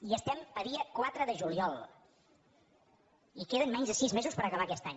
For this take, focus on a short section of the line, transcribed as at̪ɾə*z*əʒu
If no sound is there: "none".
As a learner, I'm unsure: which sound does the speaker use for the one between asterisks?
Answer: ð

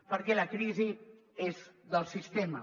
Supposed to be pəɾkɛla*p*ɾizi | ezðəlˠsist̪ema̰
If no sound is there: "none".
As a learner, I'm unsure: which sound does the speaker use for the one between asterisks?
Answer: k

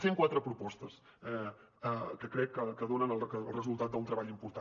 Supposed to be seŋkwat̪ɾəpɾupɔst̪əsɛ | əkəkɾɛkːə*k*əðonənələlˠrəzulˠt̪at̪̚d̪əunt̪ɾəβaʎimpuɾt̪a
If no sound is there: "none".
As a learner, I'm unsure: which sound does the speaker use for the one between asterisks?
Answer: k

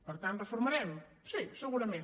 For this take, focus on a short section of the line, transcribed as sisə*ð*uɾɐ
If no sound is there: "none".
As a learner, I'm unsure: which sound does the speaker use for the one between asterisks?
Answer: ɣ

